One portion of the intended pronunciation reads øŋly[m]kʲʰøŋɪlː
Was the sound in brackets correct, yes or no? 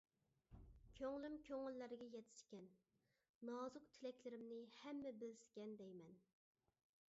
yes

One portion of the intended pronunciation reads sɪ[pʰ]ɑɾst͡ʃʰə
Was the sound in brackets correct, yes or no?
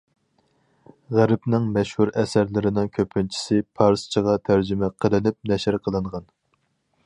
yes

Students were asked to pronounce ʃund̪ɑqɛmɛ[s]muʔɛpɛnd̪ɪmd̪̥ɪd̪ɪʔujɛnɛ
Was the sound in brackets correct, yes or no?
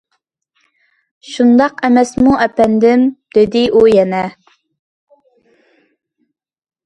yes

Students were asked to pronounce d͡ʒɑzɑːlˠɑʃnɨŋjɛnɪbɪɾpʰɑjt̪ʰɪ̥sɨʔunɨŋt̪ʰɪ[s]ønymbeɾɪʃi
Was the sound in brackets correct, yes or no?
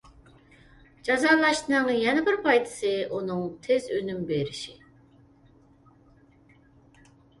no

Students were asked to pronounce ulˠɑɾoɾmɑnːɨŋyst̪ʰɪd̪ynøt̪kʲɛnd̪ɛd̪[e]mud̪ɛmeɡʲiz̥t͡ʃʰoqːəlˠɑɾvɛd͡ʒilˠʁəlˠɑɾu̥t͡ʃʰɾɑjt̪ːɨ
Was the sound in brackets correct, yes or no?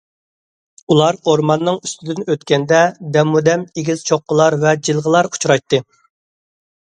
no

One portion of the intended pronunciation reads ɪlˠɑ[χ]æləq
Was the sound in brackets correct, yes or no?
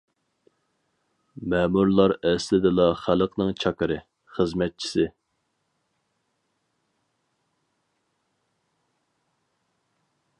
yes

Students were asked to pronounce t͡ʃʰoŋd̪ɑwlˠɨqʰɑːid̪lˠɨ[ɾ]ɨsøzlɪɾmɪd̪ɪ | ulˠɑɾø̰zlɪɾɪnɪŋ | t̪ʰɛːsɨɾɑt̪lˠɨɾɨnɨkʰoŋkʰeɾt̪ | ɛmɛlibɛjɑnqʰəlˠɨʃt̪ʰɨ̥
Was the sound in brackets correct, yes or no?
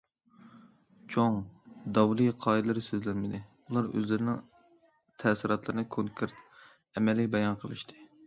yes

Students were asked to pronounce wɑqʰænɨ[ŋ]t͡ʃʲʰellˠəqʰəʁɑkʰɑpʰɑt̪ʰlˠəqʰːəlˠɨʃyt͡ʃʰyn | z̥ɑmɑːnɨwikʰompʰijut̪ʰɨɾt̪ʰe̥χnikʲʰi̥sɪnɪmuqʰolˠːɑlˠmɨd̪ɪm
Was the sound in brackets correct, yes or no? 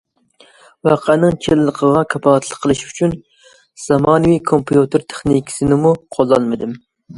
yes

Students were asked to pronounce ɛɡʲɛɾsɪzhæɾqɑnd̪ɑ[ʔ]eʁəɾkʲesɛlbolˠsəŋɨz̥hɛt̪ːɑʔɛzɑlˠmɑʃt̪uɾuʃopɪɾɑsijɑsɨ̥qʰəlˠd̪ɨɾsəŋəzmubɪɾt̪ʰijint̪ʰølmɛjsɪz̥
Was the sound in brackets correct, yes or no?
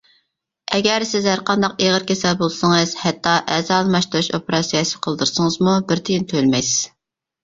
no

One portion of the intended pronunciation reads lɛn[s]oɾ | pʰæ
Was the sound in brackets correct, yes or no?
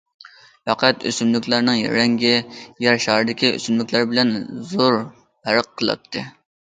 no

